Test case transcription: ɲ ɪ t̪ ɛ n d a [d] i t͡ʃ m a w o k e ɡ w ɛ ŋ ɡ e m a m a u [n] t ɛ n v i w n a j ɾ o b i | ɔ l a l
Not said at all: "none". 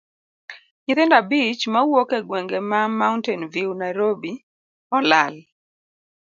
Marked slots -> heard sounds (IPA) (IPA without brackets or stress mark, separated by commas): b, n